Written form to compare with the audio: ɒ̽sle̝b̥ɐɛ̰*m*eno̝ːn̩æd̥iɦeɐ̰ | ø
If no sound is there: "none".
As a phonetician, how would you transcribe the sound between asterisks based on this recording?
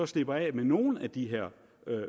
m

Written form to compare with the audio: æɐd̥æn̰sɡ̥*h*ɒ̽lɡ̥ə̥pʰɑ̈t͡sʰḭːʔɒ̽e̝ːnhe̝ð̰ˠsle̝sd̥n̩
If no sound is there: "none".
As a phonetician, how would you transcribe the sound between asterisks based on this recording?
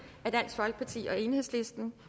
f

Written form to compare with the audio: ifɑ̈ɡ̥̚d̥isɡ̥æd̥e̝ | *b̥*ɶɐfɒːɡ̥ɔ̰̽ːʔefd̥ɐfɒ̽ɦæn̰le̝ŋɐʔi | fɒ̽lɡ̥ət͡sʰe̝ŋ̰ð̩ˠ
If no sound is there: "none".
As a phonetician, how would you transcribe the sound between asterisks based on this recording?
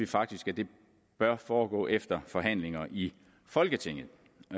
b̥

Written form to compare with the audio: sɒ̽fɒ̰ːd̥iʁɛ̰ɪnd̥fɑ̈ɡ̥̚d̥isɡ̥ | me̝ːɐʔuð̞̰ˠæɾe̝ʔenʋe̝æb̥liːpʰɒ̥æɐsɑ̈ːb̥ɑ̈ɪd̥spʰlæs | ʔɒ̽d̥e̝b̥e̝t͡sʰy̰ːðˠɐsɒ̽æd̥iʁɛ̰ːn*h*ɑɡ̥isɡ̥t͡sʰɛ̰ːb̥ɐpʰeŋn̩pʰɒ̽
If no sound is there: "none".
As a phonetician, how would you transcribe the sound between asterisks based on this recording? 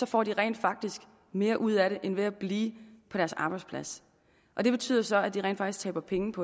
f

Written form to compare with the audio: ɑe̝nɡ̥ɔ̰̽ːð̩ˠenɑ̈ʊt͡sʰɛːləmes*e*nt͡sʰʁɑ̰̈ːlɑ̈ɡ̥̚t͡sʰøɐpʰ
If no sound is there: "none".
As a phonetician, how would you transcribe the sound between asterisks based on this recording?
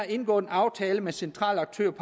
e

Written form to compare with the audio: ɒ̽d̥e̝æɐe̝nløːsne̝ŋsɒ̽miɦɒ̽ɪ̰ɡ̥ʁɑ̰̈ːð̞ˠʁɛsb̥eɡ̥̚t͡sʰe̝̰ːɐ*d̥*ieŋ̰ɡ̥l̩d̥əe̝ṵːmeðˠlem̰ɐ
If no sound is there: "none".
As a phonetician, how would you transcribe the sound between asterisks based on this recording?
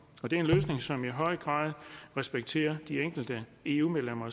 d̥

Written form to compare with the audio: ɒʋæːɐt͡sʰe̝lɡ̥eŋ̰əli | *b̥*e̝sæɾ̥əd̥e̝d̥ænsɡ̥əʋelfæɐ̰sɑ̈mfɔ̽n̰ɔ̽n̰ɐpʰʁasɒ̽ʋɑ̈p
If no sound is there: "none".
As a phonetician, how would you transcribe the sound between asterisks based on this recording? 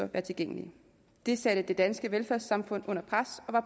d̥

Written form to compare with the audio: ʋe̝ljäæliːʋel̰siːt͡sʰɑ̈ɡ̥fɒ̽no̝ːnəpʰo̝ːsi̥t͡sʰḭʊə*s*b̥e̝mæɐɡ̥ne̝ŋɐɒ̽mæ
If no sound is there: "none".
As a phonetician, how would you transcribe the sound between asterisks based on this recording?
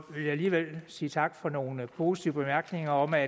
none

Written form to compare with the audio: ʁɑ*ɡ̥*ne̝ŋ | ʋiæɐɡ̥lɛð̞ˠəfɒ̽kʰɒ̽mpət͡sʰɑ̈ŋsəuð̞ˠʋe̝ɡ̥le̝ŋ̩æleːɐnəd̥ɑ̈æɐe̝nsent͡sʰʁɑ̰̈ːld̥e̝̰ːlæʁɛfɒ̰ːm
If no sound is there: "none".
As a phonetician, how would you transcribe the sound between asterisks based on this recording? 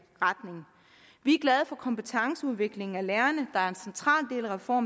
d̥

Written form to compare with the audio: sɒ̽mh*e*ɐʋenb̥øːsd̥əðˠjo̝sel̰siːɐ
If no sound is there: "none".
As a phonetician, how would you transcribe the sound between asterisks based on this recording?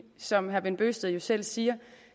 æ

